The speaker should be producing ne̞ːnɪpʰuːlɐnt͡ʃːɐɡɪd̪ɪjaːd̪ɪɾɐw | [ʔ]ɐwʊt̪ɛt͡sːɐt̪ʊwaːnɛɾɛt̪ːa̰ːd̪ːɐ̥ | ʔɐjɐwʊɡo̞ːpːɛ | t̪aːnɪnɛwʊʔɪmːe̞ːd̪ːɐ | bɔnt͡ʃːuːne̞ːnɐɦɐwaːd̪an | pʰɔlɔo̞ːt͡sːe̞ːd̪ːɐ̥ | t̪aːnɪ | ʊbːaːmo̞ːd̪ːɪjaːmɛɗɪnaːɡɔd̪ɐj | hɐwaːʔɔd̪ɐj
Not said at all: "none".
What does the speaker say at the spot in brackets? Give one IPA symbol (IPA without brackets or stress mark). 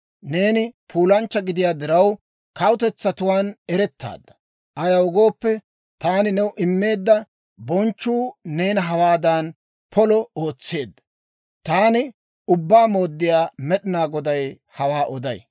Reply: k